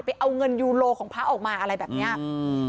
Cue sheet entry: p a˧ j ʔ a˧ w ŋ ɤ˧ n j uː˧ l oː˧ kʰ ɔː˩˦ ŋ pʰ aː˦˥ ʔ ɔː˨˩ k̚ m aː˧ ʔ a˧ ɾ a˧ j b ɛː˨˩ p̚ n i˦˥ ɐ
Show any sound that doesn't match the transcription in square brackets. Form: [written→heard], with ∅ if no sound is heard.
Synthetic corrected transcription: p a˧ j ʔ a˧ w ŋ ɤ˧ n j uː˧ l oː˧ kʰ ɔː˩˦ ŋ pʰ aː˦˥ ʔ ɔː˨˩ k̚ m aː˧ ʔ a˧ ɾ a˧ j b ɛː˨˩ p̚ n i˦˥ ɐ